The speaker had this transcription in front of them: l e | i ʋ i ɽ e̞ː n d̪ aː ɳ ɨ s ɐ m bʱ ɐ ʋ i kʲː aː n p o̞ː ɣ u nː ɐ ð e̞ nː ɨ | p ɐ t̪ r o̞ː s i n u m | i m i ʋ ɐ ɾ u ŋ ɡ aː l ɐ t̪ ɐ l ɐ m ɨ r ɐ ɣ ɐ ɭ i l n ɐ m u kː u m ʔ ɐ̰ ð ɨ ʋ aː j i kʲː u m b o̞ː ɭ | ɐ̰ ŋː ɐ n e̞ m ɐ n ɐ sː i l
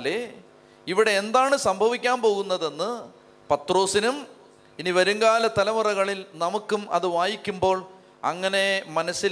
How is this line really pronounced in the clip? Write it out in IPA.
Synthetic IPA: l e | i ʋ i ɽ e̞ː n d̪ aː ɳ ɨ s ɐ m bʱ ɐ ʋ i kʲː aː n p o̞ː ɣ u nː ɐ ð e̞ nː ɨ | p ɐ t̪ r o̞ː s i n u m | i n i ʋ ɐ ɾ u ŋ ɡ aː l ɐ t̪ ɐ l ɐ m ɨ r ɐ ɣ ɐ ɭ i l n ɐ m u kː u m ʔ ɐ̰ ð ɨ ʋ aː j i kʲː u m b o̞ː ɭ | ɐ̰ ŋː ɐ n e̞ m ɐ n ɐ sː i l